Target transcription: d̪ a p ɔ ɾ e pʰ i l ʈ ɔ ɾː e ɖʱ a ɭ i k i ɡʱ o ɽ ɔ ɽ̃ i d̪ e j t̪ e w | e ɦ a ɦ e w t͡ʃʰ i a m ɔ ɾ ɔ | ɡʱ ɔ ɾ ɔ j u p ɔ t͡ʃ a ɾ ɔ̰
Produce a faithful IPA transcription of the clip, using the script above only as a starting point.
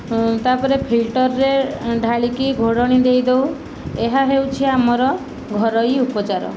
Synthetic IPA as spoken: t̪ a p ɔ ɾ e pʰ i l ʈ ɔ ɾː e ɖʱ a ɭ i k i ɡʱ o ɽ ɔ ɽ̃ i d̪ e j d̪ e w | e ɦ a ɦ e w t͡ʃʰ i a m ɔ ɾ ɔ | ɡʱ ɔ ɾ ɔ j u p ɔ t͡ʃ a ɾ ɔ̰